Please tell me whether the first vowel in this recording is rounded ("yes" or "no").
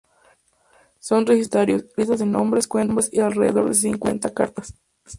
yes